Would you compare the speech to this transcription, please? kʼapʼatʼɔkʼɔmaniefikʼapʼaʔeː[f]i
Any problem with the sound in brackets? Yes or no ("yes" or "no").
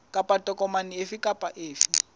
no